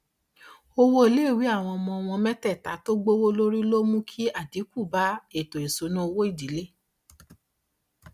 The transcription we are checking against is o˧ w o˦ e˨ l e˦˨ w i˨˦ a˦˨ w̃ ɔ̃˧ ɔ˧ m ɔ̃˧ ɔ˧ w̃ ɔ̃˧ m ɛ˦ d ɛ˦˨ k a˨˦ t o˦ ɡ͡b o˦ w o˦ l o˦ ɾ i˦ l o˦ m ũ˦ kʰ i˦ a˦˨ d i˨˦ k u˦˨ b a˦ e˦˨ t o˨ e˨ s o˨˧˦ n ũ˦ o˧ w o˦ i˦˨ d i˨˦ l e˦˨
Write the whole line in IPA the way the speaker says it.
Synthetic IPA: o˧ w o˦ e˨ l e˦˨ w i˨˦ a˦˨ w̃ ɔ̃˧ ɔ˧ m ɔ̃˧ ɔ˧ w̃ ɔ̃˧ m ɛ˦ t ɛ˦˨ t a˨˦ t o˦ ɡ͡b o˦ w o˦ l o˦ ɾ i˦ l o˦ m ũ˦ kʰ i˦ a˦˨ d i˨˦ k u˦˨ b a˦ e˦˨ t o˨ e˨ s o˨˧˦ n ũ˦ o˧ w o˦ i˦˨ d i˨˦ l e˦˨